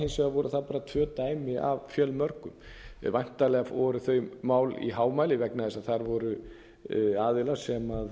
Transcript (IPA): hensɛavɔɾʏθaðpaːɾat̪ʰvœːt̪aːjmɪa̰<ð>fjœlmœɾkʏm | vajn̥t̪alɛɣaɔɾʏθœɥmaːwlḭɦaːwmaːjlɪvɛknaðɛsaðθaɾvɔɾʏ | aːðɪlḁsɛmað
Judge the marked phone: incorrect: v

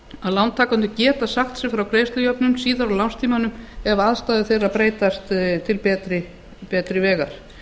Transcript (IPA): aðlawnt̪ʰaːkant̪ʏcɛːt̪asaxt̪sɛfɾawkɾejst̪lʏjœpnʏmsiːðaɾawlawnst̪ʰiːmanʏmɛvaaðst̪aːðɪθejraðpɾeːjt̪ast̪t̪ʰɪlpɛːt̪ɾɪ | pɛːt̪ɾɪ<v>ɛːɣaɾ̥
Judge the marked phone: correct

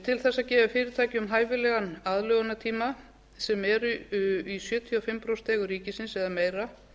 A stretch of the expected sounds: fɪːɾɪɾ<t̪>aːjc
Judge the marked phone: incorrect: t̪ʰ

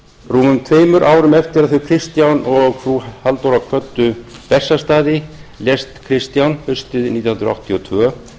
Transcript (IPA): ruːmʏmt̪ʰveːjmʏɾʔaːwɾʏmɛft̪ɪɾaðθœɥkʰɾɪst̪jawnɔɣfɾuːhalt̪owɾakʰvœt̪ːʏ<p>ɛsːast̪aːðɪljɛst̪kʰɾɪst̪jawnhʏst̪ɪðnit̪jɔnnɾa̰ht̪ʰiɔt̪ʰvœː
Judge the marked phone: correct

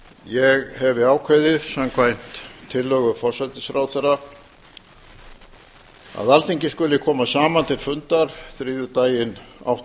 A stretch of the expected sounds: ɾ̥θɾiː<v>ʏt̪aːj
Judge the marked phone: incorrect: ð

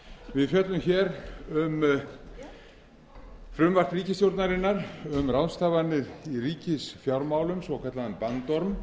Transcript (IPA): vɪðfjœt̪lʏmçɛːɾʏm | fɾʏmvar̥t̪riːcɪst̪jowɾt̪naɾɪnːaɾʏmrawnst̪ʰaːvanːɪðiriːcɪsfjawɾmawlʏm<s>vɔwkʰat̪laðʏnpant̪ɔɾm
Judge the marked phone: correct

